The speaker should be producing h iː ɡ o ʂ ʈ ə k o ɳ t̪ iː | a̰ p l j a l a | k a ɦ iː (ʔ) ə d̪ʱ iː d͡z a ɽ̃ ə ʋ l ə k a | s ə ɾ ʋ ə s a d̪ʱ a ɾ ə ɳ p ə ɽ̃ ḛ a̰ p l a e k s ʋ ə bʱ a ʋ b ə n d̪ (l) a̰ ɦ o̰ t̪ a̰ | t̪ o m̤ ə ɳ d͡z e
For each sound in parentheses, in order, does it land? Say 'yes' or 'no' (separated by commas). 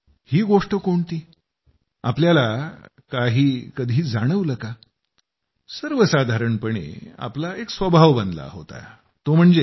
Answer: no, yes